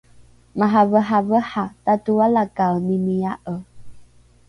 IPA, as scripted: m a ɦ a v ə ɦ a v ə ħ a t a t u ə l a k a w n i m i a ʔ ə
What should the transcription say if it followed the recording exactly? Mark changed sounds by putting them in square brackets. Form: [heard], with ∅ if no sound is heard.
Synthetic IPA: m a ɦ a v ə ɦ a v ə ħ a t a t u [a] l a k a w n i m i a ʔ ə